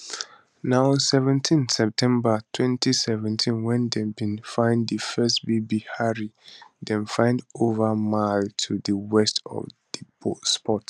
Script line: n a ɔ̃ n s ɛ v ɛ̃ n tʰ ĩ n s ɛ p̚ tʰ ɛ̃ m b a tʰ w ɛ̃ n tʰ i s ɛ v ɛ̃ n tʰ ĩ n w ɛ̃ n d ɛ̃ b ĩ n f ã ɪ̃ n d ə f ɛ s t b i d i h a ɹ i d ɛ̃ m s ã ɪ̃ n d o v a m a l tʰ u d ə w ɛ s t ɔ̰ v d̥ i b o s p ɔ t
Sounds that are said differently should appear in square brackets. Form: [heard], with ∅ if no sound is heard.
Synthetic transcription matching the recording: n a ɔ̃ n s ɛ v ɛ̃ n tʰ ĩ n s ɛ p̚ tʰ ɛ̃ m b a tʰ w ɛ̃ n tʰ i s ɛ v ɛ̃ n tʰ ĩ n w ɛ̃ n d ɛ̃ b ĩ n f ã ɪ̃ n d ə f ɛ s t b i [b] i h a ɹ i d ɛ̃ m [f] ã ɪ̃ n d o v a m a l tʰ u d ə w ɛ s t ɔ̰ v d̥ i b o s p ɔ t